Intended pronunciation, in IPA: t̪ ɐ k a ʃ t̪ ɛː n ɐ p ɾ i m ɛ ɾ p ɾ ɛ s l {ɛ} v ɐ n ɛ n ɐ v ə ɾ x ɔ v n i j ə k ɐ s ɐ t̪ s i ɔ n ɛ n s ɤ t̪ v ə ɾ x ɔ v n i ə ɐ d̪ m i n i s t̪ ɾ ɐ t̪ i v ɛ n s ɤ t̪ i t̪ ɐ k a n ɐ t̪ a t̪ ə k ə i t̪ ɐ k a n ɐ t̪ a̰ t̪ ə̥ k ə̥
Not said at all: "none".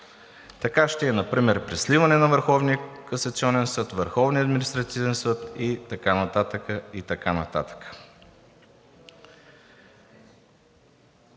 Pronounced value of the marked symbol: i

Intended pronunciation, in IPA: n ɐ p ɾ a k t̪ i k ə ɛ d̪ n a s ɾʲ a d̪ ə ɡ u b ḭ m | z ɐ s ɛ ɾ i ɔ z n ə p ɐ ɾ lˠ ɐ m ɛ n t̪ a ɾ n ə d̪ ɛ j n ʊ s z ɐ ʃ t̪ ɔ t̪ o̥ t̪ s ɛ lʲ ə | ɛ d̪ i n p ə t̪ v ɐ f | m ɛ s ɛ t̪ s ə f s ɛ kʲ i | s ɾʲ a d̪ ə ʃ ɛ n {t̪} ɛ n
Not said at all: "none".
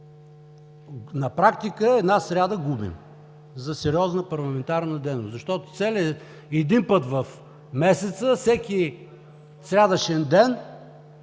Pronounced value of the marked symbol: d̪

